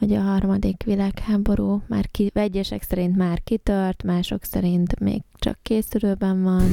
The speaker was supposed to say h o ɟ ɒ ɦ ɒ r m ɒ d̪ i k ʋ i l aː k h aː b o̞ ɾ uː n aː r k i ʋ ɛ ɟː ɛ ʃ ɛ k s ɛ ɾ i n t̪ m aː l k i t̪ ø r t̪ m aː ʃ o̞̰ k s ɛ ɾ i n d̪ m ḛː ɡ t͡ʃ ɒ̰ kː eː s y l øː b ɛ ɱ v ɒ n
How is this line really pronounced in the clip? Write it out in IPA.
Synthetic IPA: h o ɟ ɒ ɦ ɒ r m ɒ d̪ i k ʋ i l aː k h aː b o̞ ɾ uː m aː r k i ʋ ɛ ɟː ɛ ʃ ɛ k s ɛ ɾ i n t̪ m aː r k i t̪ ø r t̪ m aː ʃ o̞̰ k s ɛ ɾ i n t̪ m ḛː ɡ t͡ʃ ɒ̰ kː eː s y l øː b ɛ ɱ v ɒ n